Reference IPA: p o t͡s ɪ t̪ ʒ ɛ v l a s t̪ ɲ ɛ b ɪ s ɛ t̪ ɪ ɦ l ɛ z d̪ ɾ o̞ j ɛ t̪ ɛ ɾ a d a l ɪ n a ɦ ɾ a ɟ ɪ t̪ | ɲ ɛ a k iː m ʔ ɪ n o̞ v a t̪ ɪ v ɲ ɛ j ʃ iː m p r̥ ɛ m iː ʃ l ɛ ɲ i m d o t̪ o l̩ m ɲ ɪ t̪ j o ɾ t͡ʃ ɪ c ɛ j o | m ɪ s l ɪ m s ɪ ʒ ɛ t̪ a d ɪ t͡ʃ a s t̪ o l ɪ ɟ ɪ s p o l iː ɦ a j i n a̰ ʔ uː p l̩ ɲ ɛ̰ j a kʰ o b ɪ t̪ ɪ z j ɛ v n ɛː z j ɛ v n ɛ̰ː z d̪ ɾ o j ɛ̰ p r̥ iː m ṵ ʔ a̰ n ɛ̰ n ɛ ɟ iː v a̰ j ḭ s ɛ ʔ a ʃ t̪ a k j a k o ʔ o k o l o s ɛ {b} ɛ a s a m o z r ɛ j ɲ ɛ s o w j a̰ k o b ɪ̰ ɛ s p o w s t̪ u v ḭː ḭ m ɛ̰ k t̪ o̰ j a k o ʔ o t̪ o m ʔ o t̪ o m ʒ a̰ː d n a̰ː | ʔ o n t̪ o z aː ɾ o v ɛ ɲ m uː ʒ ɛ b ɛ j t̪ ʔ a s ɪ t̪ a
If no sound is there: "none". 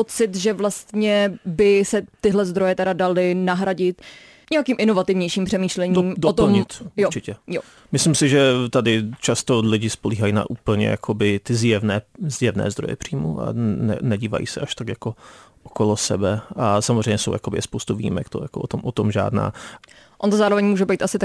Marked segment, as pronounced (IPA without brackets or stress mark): b